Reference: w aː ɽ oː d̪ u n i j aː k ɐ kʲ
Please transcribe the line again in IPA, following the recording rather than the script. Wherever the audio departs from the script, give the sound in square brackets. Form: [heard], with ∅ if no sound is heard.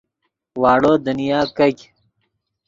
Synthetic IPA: w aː ɽ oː d̪ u n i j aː k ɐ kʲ